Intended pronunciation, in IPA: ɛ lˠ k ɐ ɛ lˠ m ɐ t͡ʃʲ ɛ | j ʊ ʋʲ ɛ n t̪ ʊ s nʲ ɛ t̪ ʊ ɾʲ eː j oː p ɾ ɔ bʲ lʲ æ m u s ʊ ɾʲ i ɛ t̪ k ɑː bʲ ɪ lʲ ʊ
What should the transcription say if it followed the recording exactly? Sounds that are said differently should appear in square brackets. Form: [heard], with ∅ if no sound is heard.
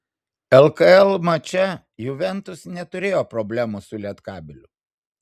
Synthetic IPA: ɛ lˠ k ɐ ɛ lˠ m ɐ t͡ʃʲ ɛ | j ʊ ʋʲ ɛ n t̪ ʊ s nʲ ɛ t̪ ʊ ɾʲ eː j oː p ɾ ɔ bʲ lʲ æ m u s ʊ [lʲ] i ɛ t̪ k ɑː bʲ ɪ lʲ ʊ